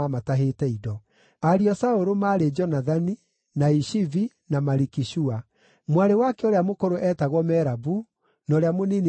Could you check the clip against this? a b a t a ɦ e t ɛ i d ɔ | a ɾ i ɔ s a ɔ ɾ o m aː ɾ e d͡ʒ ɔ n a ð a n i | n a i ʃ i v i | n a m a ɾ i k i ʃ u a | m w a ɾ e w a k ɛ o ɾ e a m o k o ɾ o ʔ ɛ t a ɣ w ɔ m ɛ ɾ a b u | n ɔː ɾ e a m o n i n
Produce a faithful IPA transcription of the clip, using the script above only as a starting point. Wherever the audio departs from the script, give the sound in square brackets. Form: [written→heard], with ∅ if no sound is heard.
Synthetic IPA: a [b→m] a t a ɦ e t ɛ i d ɔ | a ɾ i ɔ s a [ɔ→o] ɾ o m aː ɾ e d͡ʒ ɔ n a ð a n i | n a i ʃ i v i | n a m a ɾ i k i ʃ u a | m w a ɾ e w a k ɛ o ɾ e a m o k o ɾ o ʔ ɛ t a ɣ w ɔ m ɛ ɾ a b u | n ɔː ɾ e a m o n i n